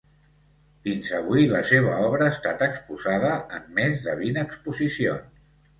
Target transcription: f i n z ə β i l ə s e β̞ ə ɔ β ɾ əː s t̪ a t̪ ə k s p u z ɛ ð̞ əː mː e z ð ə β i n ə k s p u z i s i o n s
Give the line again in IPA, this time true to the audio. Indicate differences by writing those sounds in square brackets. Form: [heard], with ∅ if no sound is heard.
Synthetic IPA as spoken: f i n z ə β i l ə s e β̞ ə ɔ β ɾ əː s t̪ a t̪ ə k s p u z [a] ð̞ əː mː e z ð ə β i n ə k s p u z i s i o n s